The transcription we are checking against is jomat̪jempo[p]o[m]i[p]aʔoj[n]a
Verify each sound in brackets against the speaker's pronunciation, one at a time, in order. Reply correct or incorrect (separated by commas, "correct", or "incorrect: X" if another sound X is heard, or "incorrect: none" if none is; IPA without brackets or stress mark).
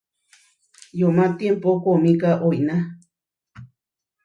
incorrect: k, correct, incorrect: k, correct